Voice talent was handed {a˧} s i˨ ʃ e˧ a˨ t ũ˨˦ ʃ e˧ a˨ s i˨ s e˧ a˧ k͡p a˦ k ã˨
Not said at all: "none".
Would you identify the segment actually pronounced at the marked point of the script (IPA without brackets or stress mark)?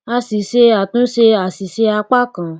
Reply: a˧